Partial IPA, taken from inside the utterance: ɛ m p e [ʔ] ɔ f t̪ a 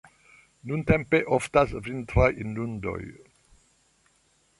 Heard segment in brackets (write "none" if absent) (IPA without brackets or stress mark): ʔ